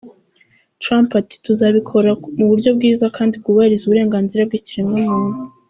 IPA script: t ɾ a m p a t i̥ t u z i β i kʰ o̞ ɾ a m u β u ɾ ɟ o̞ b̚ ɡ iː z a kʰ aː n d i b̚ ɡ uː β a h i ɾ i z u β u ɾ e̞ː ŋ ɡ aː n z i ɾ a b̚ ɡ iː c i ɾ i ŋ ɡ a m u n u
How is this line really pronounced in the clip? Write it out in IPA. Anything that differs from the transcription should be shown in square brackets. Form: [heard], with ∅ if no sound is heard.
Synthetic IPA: t ɾ a m p a t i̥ t u z [a] β i kʰ o̞ ɾ a m u β u ɾ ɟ o̞ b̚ ɡ iː z a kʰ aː n d i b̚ ɡ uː β a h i ɾ i z u β u ɾ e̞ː ŋ ɡ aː n z i ɾ a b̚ ɡ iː c i ɾ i ŋ ɡ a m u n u